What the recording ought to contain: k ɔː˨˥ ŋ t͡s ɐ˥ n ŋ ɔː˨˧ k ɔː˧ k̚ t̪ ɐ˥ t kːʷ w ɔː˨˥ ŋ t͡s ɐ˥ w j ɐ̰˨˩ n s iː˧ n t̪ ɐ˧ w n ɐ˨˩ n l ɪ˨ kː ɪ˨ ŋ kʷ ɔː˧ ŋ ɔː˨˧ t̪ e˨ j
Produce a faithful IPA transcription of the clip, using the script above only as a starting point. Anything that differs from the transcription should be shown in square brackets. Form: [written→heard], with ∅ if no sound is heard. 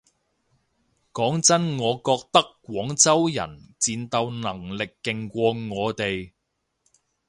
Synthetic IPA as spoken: k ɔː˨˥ ŋ t͡s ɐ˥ n ŋ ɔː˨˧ k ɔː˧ k̚ t̪ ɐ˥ [t→k] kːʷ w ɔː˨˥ ŋ t͡s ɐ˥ w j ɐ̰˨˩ n [s→t͡s] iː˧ n t̪ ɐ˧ w n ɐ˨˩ [n→ŋ] l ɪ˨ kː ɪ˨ ŋ kʷ ɔː˧ ŋ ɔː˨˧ t̪ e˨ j